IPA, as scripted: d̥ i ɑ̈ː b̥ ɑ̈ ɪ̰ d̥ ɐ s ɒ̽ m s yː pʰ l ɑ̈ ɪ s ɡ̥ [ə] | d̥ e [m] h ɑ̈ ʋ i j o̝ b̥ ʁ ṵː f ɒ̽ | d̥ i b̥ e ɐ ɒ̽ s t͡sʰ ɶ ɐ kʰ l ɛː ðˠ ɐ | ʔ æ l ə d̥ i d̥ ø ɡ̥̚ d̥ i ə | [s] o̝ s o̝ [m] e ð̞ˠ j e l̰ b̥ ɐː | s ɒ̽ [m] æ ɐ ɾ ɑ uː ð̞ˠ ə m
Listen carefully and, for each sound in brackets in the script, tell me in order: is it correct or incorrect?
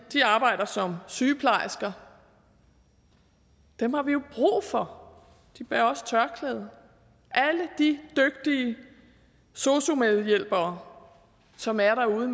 incorrect: ɐ, correct, correct, correct, correct

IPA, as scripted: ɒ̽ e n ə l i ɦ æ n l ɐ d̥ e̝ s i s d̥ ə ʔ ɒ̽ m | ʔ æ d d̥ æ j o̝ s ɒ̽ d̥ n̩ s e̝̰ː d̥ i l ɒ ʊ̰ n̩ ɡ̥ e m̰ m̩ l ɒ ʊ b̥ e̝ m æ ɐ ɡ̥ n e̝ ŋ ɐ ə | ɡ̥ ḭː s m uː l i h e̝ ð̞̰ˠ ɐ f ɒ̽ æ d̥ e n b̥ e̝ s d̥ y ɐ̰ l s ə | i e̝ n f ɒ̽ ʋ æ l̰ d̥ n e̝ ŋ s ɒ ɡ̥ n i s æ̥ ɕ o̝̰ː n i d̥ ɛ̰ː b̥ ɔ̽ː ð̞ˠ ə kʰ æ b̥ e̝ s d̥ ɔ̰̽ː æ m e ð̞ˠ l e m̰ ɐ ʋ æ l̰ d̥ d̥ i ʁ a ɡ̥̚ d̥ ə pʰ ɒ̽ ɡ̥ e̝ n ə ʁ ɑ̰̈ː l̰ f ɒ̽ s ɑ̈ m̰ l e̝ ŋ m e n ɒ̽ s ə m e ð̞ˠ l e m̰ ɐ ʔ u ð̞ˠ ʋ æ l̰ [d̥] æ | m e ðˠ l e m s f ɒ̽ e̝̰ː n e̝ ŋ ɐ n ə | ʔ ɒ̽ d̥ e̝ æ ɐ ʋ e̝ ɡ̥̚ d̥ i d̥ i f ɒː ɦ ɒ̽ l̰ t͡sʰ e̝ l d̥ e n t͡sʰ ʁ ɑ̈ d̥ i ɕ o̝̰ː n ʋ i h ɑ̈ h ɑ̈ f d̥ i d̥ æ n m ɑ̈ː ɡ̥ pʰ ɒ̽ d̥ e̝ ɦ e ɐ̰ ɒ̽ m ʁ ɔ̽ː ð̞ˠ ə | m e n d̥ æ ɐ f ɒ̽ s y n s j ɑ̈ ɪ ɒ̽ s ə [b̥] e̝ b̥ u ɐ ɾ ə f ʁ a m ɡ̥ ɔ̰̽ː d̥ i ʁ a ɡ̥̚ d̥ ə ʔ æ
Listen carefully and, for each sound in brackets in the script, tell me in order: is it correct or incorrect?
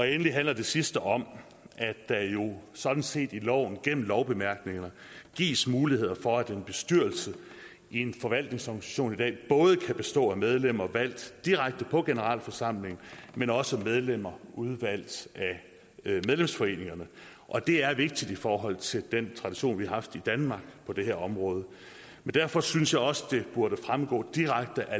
correct, incorrect: d̥

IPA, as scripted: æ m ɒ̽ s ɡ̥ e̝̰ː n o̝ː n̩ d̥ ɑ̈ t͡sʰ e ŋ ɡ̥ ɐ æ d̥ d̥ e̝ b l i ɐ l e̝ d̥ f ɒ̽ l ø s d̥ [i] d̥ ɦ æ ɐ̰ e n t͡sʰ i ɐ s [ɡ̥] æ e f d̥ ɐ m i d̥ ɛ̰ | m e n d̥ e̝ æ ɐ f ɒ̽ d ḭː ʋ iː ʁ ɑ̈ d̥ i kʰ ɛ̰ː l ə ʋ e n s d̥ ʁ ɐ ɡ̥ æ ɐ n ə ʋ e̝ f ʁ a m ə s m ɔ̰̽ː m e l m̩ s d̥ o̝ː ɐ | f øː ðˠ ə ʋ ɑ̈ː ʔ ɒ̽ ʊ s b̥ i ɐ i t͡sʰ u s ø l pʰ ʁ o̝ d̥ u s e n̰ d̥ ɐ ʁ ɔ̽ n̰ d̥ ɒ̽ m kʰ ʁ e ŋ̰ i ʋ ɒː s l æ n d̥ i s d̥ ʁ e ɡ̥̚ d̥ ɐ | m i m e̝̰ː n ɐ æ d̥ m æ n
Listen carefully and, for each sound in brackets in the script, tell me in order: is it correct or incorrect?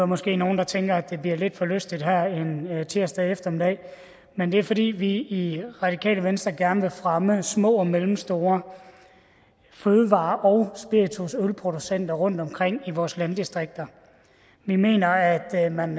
correct, incorrect: d̥

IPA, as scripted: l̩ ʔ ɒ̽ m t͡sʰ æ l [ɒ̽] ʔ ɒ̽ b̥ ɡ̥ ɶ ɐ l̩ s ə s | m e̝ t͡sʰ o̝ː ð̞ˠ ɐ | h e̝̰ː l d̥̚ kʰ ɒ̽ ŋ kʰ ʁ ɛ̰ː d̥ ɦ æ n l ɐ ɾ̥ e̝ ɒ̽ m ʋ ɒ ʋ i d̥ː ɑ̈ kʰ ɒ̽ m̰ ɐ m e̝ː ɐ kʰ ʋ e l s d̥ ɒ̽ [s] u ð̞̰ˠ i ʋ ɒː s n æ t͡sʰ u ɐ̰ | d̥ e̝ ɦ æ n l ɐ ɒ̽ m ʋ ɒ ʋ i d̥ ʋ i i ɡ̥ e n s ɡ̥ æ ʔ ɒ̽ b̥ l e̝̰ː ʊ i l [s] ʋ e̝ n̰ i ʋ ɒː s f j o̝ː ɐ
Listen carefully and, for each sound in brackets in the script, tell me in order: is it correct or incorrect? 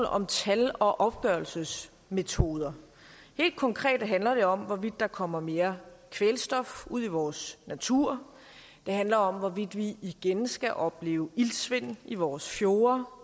correct, incorrect: f, correct

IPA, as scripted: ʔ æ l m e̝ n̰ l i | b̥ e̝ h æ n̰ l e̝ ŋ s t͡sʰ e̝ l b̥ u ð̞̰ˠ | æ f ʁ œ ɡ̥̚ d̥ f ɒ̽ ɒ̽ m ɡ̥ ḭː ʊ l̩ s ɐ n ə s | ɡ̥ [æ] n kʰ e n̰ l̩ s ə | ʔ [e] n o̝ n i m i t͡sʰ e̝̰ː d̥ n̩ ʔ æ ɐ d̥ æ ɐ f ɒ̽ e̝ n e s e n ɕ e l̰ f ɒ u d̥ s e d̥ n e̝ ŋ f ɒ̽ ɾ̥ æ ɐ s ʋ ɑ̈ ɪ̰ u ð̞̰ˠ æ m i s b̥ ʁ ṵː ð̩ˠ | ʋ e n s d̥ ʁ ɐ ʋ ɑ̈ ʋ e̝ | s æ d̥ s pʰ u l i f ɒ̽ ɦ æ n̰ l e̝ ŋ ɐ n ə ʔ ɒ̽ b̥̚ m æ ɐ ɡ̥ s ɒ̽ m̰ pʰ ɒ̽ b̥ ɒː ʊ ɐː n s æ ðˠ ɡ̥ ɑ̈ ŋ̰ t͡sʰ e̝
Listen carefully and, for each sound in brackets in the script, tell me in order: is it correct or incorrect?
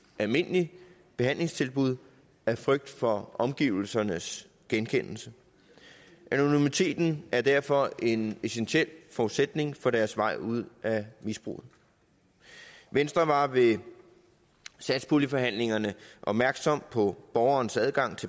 incorrect: e, incorrect: æ

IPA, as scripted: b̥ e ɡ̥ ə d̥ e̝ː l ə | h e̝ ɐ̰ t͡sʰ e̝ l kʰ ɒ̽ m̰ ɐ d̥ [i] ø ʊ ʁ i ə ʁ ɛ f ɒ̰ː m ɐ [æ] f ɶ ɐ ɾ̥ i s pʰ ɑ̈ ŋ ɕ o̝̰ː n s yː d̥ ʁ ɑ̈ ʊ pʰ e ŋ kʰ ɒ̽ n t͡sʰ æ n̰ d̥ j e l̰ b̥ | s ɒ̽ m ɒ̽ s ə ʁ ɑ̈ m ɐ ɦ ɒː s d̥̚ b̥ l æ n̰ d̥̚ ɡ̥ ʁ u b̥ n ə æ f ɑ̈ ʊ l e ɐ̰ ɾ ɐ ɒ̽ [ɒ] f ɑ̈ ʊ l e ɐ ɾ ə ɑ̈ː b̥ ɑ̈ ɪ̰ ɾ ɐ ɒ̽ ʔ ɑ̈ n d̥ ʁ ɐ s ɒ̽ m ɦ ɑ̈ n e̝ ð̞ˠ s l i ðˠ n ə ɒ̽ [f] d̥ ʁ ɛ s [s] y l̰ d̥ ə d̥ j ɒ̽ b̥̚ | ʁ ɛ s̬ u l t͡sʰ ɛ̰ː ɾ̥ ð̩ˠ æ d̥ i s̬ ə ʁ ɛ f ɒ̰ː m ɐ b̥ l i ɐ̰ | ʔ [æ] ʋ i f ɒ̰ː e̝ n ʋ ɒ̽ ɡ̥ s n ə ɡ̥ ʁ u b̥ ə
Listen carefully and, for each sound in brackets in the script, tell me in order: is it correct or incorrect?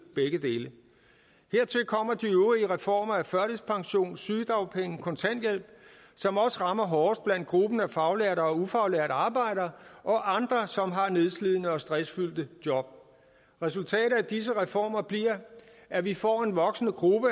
correct, correct, incorrect: u, incorrect: s, incorrect: f, correct

